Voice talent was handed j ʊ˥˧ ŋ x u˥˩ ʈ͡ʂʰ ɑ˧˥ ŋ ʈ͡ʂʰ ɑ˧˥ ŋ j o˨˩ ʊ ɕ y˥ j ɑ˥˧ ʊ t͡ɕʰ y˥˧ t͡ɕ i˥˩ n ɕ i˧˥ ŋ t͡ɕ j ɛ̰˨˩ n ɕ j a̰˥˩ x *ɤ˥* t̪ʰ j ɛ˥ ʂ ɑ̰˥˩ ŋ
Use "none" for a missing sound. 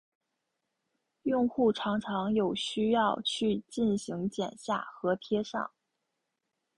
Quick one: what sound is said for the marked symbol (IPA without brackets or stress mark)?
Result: ɤ˧˥